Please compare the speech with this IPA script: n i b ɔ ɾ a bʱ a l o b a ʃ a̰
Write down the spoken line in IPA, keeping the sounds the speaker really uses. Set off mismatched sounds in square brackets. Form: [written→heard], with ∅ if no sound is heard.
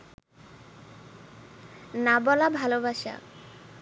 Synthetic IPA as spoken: n [i→a] b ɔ [ɾ→l] a bʱ a l o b a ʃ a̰